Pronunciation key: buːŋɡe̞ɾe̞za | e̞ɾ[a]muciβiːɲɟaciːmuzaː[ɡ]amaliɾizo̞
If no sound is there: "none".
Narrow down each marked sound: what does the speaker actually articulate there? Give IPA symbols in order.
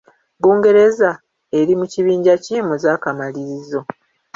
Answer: i, k

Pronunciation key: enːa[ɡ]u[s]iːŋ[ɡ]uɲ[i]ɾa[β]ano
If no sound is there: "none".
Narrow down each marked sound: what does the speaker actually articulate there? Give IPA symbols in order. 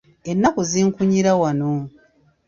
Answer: k, z, k, i, w

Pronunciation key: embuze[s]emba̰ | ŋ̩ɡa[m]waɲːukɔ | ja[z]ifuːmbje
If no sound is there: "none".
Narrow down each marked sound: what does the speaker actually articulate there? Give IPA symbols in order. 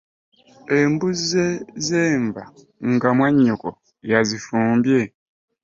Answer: z, m, z

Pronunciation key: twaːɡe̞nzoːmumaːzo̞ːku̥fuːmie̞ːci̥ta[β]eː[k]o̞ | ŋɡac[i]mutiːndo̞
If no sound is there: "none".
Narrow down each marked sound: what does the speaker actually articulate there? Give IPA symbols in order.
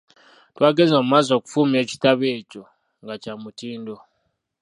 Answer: β, c, a

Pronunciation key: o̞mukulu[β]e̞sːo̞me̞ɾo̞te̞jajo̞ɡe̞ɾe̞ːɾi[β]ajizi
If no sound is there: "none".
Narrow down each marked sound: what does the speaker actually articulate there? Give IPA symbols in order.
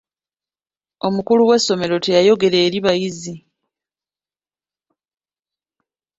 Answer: w, β

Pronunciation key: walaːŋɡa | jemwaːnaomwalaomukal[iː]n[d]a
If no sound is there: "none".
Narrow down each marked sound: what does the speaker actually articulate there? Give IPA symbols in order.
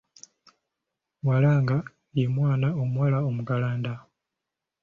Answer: aː, d

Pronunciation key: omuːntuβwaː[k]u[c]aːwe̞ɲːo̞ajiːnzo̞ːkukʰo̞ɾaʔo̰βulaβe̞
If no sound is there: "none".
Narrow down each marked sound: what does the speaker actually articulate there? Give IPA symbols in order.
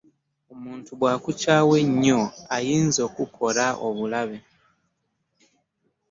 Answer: k, c

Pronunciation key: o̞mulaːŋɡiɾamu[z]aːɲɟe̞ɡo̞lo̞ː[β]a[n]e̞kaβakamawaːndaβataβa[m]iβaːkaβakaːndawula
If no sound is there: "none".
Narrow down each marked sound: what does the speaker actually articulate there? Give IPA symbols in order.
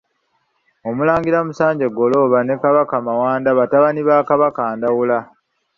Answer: s, β, n, n

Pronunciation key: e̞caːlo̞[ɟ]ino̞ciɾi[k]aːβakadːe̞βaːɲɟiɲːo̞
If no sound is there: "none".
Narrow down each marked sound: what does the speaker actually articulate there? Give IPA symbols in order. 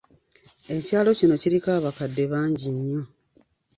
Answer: c, k

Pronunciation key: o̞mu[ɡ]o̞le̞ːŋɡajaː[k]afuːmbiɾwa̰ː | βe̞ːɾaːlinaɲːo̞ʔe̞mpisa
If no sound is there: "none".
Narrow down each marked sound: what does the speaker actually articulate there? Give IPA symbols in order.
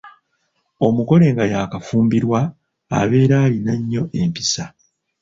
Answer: k, k

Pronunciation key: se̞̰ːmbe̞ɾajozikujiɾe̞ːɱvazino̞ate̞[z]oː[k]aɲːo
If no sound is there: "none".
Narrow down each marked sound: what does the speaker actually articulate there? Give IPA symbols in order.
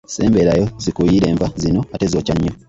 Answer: z, c

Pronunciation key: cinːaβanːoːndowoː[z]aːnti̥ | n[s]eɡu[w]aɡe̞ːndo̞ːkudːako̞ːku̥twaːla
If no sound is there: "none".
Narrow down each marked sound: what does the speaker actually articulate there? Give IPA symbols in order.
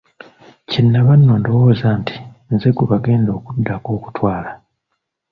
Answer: z, z, β

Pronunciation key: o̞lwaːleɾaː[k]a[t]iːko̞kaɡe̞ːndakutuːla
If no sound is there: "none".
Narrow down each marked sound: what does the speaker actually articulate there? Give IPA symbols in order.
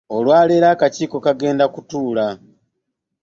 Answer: k, c

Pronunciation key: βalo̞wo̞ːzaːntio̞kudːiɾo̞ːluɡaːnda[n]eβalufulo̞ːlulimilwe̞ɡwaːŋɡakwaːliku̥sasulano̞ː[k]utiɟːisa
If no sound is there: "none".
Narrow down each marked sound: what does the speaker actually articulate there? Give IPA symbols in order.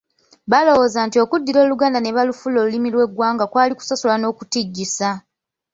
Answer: n, k

